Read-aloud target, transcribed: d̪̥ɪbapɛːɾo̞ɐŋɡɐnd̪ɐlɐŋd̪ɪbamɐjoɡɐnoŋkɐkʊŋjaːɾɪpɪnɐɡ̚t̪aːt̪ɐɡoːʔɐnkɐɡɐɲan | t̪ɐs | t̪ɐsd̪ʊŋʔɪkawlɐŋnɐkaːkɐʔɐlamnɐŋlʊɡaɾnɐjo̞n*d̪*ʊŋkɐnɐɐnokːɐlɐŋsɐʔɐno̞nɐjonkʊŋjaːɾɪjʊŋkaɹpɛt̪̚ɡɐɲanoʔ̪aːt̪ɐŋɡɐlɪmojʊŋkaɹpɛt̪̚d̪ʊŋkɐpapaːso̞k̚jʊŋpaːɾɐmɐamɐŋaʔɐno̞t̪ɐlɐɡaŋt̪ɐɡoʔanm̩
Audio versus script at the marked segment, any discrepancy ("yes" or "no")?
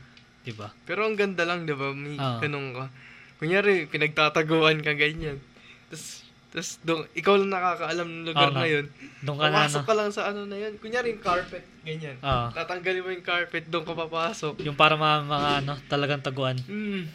no